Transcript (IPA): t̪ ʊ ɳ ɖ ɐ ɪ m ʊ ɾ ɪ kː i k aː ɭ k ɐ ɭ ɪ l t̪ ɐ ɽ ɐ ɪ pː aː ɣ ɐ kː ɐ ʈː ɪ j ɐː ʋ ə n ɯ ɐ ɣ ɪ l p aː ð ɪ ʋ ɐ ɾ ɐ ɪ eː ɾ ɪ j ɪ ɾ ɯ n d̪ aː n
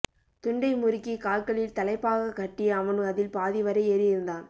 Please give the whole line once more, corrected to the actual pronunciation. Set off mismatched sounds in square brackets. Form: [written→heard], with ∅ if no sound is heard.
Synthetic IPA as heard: t̪ ʊ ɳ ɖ ɐ ɪ m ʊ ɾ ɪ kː i k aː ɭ k ɐ ɭ ɪ l t̪ ɐ [ɽ→l] ɐ ɪ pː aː ɣ ɐ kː ɐ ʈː ɪ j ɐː ʋ [ə→ɐ] n ɯ ɐ [ɣ→ð] ɪ l p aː ð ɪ ʋ ɐ ɾ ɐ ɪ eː ɾ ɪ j ɪ ɾ ɯ n d̪ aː n